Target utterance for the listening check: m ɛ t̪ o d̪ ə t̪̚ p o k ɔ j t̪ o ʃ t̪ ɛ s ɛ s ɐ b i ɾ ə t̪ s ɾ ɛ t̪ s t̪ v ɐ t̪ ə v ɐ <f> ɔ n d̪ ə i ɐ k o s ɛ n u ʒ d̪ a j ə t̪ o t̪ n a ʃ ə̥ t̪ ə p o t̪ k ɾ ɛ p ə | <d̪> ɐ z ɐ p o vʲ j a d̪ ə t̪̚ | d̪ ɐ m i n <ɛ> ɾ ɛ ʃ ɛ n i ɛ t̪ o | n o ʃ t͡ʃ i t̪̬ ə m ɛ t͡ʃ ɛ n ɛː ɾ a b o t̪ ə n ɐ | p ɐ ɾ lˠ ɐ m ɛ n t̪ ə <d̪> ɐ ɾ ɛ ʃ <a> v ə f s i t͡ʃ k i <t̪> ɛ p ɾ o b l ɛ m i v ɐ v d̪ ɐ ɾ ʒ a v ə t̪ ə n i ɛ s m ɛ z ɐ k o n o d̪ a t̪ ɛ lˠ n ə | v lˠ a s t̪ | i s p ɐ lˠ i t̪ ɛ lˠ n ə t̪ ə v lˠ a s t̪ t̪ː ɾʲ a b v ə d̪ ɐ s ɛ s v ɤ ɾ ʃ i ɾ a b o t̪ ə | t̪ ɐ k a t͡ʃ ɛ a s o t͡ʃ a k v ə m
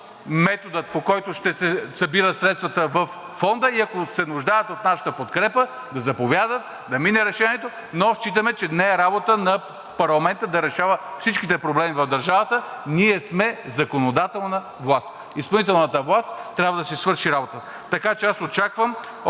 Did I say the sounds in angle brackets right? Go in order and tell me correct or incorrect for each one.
incorrect, correct, correct, correct, correct, correct

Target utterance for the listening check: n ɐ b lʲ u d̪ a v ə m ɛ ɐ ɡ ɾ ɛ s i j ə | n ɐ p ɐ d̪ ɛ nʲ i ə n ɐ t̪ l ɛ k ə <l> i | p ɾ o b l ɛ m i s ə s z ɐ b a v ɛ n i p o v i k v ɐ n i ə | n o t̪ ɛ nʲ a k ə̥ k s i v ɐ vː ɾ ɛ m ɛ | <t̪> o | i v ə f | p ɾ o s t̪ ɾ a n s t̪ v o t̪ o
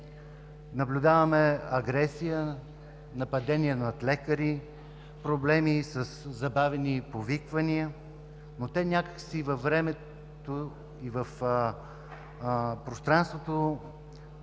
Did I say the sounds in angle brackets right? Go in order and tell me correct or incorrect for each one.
incorrect, correct

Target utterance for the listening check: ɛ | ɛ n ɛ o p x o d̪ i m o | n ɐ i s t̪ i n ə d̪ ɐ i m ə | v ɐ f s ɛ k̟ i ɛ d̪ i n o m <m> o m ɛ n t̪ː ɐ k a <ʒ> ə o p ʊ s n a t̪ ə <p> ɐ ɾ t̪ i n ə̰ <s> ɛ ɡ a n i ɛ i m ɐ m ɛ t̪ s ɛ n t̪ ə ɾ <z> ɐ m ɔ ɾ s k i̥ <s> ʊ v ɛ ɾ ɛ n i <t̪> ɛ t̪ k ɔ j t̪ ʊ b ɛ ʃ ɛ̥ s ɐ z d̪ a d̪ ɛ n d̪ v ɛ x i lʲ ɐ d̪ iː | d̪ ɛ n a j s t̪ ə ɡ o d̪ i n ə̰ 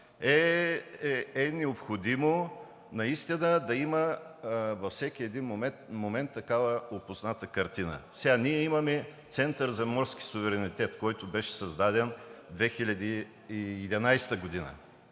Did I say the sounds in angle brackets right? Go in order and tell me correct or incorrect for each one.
correct, incorrect, incorrect, correct, correct, correct, correct

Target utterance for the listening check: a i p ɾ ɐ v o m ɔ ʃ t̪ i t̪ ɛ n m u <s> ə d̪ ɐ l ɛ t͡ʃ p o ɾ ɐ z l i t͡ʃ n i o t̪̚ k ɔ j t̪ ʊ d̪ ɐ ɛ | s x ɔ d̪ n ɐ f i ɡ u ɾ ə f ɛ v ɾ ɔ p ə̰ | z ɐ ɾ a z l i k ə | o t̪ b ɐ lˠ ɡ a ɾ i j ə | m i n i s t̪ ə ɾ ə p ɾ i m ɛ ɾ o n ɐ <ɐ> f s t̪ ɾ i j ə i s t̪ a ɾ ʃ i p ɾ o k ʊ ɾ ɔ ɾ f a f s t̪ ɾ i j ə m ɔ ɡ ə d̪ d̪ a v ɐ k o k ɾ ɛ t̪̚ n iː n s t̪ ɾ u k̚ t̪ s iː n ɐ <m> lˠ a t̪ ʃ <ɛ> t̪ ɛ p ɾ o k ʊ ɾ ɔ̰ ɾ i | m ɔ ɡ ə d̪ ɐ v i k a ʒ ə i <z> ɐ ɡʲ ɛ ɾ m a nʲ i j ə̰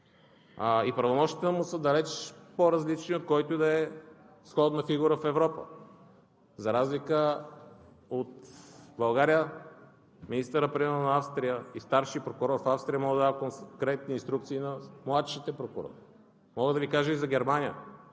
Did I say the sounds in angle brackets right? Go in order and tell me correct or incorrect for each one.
correct, incorrect, correct, incorrect, correct

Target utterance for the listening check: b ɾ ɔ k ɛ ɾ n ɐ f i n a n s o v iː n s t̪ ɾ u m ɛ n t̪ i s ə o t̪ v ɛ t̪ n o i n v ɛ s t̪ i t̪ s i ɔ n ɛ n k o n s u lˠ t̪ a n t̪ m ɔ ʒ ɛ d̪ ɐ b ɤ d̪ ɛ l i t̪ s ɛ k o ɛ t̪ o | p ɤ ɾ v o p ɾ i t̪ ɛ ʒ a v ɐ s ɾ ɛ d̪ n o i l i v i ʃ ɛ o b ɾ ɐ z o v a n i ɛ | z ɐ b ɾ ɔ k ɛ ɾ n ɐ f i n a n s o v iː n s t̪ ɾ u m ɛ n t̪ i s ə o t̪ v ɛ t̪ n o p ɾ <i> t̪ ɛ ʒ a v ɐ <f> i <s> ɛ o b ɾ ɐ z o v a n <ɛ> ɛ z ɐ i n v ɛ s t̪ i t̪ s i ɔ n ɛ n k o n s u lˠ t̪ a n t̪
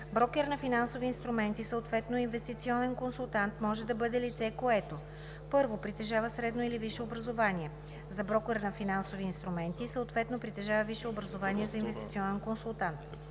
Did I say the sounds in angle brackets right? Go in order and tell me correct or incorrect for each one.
correct, incorrect, incorrect, incorrect

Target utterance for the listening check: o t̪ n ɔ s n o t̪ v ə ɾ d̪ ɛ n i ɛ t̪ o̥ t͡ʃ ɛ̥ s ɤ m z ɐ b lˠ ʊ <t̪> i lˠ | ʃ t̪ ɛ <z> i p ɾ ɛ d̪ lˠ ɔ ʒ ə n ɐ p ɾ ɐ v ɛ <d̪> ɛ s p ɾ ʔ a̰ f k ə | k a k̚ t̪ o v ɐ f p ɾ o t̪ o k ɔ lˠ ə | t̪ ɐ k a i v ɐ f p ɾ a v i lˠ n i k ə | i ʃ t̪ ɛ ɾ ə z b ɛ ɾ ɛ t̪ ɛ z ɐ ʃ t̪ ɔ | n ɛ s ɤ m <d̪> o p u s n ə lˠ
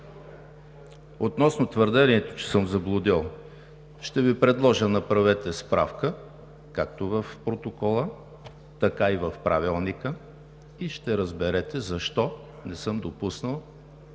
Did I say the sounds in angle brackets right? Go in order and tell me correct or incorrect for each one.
incorrect, incorrect, incorrect, correct

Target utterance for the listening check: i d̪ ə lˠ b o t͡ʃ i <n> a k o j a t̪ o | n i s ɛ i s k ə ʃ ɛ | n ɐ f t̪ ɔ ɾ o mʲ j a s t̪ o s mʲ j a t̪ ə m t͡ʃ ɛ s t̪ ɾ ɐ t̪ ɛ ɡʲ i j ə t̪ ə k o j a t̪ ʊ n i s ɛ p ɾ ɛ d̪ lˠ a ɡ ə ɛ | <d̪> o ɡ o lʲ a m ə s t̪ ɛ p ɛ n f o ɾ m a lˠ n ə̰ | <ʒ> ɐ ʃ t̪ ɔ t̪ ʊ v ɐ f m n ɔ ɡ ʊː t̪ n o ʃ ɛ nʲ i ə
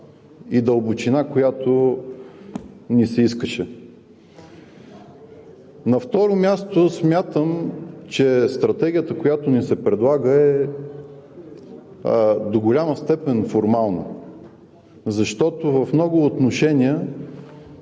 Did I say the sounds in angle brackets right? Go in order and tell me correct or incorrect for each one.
correct, correct, incorrect

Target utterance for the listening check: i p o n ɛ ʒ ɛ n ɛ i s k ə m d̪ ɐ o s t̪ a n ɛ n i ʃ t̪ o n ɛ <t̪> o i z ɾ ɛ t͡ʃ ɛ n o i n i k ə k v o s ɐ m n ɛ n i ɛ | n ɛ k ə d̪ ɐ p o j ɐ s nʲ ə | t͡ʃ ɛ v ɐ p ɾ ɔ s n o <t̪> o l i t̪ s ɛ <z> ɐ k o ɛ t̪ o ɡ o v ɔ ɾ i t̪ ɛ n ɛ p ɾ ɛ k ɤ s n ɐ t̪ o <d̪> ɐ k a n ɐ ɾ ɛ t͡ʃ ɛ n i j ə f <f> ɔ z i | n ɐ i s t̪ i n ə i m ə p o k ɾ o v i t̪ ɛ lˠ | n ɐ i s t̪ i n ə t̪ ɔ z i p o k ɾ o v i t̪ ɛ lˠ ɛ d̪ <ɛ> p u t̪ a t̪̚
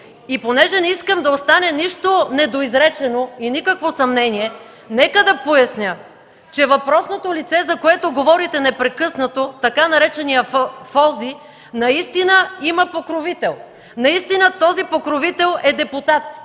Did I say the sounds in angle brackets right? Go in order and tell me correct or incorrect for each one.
incorrect, correct, correct, incorrect, correct, correct

